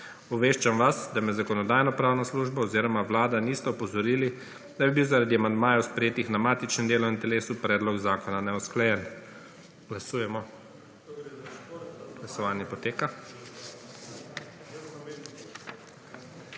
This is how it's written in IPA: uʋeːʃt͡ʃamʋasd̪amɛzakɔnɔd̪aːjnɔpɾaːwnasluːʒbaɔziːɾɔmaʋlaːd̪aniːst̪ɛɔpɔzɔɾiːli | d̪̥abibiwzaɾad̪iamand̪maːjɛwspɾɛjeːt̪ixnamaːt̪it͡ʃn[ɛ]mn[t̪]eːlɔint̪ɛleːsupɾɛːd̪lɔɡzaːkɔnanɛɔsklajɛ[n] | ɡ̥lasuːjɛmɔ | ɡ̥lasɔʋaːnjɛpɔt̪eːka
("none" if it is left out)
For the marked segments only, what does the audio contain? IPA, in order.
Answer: ɛ, d̪, n

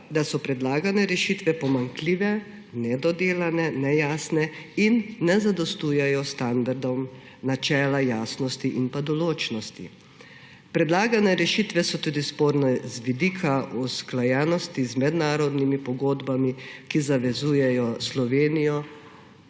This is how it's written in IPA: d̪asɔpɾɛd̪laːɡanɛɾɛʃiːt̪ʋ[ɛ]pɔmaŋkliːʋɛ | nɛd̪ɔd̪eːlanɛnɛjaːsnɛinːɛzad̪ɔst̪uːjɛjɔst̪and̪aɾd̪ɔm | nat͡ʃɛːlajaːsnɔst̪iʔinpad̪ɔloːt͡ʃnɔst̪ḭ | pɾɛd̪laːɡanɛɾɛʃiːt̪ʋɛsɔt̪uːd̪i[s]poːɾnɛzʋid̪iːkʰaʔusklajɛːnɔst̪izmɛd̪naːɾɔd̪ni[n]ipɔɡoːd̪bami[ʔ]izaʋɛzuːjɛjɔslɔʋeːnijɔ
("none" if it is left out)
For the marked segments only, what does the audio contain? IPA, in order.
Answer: ɛ, s, m, k

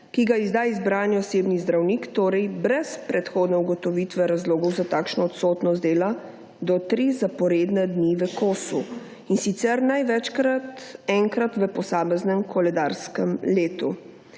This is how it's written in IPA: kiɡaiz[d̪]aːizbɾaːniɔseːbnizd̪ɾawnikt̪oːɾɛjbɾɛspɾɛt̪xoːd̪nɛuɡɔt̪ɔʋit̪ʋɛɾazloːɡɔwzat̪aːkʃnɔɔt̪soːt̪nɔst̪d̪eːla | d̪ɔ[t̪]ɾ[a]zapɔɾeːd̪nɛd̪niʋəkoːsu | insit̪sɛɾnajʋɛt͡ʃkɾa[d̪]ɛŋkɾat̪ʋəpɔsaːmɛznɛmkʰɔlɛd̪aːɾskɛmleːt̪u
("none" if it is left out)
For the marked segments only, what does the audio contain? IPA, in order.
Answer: d̪, t̪, i, t̪

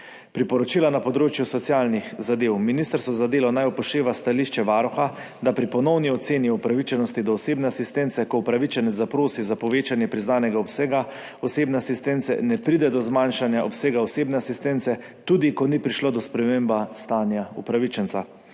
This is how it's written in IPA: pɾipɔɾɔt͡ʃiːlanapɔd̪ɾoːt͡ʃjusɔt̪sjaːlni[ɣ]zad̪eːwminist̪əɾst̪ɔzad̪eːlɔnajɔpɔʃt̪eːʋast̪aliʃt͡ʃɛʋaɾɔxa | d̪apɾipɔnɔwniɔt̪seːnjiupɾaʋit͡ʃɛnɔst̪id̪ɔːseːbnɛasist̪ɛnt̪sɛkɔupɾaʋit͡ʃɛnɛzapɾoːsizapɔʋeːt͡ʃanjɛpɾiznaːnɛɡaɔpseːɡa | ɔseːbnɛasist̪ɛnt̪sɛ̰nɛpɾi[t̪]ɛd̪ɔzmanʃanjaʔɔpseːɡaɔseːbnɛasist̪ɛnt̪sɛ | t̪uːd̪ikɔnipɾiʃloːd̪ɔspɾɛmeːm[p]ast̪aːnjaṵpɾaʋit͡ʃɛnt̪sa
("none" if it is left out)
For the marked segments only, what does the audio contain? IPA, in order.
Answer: x, d̪, b

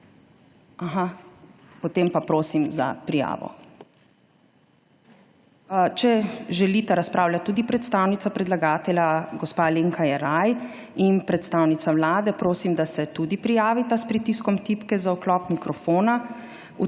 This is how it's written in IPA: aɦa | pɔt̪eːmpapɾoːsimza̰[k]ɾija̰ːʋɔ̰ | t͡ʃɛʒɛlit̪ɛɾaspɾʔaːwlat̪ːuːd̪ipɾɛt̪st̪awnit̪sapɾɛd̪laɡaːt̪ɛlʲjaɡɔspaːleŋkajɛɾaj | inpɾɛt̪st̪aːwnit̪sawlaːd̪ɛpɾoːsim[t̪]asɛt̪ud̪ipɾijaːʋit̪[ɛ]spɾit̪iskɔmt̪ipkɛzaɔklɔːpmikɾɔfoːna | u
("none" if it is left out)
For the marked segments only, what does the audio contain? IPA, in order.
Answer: p, d̪, a

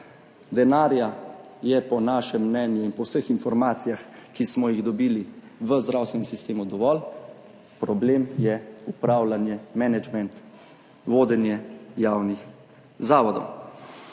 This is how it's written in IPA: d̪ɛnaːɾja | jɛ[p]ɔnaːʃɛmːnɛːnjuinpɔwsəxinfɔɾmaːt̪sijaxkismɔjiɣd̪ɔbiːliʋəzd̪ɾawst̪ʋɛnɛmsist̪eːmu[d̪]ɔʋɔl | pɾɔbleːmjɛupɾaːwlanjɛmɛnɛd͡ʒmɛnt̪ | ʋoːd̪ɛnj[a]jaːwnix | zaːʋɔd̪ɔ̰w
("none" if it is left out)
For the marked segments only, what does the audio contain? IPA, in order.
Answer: p, d̪, ɛ

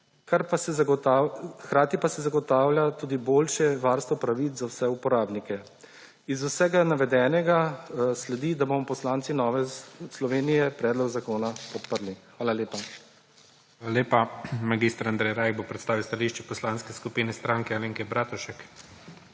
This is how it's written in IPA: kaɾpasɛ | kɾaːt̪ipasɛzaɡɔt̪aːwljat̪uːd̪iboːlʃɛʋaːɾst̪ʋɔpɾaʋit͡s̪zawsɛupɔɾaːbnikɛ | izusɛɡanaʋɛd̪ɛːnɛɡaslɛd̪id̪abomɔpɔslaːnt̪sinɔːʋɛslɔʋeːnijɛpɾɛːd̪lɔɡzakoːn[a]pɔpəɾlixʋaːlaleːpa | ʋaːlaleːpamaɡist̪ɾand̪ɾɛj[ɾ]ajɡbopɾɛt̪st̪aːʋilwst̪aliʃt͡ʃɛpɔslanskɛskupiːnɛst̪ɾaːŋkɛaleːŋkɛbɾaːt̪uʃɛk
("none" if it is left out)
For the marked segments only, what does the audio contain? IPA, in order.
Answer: a, ɾ

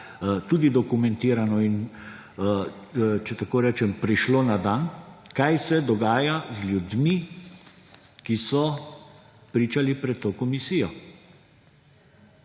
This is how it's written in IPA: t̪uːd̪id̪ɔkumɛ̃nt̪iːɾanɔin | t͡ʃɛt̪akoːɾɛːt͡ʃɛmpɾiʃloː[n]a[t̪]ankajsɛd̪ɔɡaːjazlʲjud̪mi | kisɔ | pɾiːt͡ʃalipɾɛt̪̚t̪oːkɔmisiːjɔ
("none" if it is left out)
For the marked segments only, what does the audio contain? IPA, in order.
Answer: n, d̪

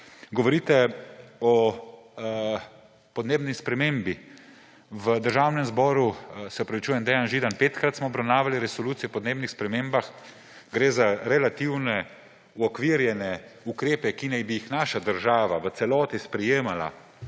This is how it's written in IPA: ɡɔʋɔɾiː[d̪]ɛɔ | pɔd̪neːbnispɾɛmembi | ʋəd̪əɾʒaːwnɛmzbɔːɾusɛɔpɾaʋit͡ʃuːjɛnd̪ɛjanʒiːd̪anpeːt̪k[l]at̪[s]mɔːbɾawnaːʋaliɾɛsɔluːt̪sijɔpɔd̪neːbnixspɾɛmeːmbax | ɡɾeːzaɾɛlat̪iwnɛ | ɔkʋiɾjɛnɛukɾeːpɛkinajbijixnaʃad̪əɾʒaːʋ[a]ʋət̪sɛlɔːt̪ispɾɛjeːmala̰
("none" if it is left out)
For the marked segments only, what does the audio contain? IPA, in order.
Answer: t̪, ɾ, s, a

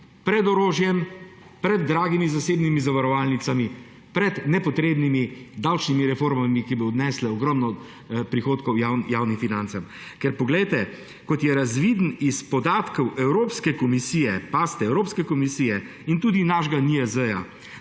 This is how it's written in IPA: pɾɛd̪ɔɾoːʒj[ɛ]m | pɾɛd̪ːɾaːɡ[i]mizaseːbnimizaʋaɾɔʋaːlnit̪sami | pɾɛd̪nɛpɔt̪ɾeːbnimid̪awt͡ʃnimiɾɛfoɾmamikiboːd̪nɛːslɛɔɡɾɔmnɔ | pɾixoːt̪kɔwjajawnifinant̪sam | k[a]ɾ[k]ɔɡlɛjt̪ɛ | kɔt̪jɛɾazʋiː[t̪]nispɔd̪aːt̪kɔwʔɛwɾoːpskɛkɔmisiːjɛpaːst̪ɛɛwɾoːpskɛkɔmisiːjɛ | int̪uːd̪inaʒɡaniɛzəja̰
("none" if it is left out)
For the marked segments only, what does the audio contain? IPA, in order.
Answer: ɛ, i, ɛ, p, d̪

